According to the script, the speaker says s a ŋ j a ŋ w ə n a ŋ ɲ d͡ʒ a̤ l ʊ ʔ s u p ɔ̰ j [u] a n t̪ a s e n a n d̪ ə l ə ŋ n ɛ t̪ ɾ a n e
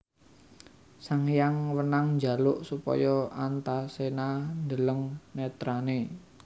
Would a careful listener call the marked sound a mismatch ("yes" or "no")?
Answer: yes